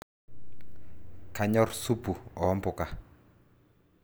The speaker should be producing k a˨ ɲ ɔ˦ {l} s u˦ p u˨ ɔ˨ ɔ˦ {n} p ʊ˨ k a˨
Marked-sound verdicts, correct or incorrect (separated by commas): incorrect, incorrect